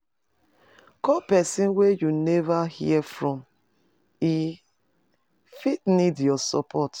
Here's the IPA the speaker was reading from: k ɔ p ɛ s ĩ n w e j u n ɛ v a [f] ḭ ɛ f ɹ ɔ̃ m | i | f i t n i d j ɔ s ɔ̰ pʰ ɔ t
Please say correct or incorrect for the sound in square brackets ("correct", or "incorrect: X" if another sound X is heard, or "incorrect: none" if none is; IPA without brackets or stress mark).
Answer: incorrect: h